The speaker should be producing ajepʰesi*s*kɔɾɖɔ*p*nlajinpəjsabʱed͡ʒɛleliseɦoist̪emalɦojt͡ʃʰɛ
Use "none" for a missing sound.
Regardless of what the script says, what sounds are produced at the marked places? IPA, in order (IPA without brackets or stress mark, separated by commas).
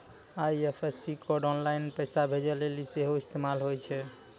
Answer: none, none